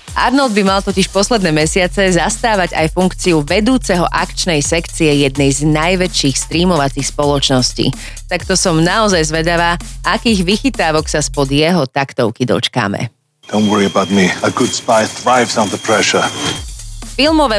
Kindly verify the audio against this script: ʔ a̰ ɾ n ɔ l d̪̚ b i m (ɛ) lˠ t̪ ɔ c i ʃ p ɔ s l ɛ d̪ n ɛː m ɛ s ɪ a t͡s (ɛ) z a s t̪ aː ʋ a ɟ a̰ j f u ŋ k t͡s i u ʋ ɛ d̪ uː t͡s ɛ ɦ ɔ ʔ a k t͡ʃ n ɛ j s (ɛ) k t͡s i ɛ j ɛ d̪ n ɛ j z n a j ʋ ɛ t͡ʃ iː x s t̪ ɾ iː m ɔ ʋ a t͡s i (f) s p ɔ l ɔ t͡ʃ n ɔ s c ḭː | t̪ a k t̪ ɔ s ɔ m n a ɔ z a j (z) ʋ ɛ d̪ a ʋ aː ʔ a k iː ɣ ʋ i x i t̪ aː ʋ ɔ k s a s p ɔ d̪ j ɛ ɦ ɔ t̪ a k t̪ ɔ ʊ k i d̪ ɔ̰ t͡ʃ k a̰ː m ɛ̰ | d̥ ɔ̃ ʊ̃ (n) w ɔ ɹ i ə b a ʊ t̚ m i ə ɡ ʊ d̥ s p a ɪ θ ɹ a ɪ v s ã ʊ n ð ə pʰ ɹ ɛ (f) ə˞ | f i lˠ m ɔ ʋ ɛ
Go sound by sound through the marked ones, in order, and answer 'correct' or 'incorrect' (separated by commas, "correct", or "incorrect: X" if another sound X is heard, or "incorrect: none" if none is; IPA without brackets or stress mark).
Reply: incorrect: a, correct, correct, incorrect: x, correct, correct, incorrect: ʃ